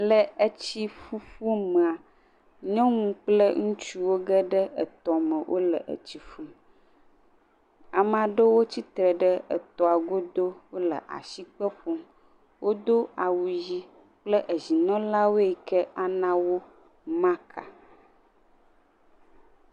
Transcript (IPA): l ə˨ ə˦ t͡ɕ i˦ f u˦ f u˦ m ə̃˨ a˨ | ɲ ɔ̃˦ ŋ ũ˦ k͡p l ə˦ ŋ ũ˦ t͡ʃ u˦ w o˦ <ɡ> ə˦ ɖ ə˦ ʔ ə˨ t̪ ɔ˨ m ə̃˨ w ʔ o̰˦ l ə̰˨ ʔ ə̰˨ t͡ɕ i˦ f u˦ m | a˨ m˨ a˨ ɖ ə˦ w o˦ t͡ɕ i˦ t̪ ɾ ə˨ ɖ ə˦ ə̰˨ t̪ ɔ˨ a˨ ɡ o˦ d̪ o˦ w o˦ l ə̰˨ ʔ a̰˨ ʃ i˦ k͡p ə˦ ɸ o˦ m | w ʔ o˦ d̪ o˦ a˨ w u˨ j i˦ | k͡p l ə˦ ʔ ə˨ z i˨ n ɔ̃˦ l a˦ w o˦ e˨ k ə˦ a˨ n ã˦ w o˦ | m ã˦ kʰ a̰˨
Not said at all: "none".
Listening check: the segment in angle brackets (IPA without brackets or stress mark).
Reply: ɡ